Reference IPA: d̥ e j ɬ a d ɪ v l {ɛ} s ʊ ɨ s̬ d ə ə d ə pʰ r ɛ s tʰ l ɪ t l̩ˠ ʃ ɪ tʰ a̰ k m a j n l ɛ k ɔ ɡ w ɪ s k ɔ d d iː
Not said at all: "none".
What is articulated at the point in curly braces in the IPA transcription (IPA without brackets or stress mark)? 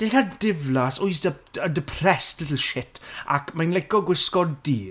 a